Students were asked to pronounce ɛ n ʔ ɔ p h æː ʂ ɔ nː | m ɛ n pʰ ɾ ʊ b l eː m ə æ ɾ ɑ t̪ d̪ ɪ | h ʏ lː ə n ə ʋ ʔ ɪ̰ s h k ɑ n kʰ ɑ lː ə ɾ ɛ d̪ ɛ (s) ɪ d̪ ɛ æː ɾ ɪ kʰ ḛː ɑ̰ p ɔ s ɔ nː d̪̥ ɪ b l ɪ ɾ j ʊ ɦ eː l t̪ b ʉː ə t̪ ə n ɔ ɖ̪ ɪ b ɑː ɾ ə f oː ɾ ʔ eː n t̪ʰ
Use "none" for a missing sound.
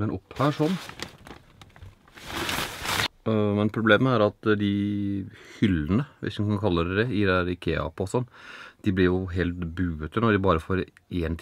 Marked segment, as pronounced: none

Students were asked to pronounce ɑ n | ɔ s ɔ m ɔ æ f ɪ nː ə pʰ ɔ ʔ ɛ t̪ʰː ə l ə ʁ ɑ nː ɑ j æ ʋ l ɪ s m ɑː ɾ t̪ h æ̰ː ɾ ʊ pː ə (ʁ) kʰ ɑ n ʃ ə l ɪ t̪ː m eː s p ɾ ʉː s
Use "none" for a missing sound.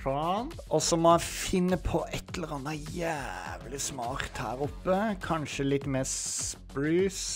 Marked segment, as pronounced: none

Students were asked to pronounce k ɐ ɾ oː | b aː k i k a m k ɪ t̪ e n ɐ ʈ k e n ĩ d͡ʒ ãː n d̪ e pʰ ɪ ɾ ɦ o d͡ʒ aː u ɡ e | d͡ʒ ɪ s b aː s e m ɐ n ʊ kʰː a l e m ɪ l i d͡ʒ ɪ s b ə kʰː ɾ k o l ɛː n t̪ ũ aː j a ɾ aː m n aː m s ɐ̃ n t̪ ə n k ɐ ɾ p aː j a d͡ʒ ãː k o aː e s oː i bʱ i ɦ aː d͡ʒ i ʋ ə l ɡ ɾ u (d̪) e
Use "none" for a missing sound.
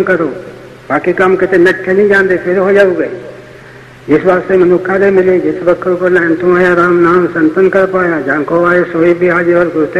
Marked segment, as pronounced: t̪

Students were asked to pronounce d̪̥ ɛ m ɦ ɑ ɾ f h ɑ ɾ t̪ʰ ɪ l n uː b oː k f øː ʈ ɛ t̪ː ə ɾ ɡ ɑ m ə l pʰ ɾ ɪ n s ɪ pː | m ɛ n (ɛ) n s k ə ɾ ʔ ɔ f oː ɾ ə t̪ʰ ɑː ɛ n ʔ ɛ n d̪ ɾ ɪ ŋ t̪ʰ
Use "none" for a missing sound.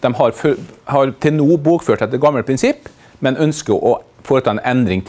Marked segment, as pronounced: œ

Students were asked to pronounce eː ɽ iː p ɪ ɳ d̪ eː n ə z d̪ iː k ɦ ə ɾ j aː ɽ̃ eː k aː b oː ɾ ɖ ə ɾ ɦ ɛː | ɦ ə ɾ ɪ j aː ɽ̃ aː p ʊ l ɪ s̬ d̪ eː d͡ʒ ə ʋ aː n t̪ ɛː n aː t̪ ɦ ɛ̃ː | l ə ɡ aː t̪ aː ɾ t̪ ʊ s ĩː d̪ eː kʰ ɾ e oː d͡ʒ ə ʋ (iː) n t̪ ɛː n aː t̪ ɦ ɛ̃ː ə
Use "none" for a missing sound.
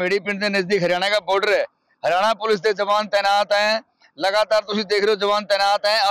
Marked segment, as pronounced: aː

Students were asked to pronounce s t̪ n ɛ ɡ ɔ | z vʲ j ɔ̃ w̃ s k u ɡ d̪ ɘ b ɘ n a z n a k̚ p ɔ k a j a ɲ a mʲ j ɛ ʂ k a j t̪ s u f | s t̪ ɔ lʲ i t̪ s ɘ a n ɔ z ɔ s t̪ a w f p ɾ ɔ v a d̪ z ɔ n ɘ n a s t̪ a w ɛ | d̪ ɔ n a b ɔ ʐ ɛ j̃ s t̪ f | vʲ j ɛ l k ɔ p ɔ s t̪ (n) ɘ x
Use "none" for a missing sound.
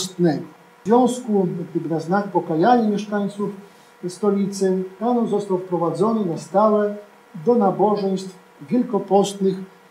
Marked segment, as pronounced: n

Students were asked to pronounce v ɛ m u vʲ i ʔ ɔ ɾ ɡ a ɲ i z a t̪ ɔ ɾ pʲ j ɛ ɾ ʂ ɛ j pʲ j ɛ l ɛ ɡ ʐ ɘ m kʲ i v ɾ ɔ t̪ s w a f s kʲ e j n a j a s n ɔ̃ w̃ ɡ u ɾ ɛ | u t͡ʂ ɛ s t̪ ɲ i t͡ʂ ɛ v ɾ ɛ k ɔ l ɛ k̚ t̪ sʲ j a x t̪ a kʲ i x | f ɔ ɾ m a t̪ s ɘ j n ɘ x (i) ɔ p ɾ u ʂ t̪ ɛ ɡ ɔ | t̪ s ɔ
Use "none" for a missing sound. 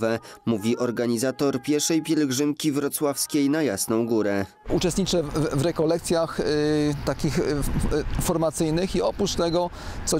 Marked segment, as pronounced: i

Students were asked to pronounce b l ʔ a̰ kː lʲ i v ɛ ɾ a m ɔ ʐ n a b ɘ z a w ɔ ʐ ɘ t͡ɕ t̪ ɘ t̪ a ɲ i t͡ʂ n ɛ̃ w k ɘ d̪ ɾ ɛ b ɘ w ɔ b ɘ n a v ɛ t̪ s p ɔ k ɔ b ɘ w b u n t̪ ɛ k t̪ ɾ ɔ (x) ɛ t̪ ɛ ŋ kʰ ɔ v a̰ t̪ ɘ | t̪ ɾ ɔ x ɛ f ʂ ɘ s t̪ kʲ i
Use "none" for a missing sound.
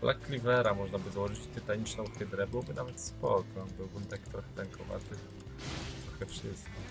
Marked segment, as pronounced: x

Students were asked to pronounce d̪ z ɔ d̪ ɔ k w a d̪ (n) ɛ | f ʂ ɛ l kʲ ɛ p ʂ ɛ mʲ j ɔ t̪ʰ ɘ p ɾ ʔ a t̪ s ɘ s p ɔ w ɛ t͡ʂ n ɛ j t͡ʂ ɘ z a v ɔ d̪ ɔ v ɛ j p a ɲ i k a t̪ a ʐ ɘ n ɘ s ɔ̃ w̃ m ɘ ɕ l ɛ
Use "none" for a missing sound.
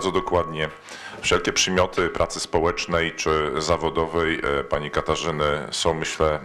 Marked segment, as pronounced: ɲ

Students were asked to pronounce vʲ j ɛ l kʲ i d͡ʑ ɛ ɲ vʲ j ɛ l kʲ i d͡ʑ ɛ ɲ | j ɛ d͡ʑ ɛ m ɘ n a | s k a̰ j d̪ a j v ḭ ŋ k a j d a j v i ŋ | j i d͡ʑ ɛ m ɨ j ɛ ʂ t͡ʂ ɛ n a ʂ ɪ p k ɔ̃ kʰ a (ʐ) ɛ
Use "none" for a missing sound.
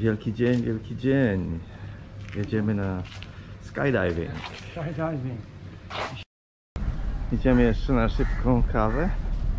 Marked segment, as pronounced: v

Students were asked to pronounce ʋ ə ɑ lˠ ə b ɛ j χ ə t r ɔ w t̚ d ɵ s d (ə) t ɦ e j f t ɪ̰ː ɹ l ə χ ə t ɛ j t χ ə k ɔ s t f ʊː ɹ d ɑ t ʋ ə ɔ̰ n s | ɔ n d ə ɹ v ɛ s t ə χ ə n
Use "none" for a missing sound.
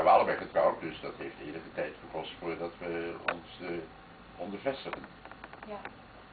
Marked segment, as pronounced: ɑ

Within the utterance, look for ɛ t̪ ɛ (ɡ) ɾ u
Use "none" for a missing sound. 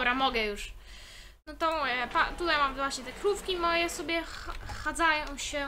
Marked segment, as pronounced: k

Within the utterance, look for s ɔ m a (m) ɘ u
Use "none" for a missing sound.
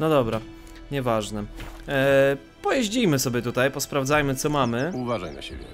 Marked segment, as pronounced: m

